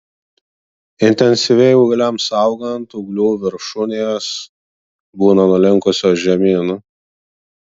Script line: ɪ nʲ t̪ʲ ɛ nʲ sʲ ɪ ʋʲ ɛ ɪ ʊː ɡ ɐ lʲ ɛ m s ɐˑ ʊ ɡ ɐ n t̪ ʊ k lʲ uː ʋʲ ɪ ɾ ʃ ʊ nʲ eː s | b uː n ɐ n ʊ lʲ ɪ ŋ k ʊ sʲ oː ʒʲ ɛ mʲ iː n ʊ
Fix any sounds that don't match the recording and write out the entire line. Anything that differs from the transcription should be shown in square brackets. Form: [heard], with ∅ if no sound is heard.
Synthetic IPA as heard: ɪ nʲ t̪ʲ ɛ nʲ sʲ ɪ ʋʲ ɛ ɪ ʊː ɡ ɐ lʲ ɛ m s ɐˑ ʊ ɡ ɐ n t̪ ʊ [ɡ] lʲ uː ʋʲ ɪ ɾ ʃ ʊ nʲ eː s | b uː n ɐ n ʊ lʲ ɪ ŋ k ʊ sʲ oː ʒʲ ɛ mʲ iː n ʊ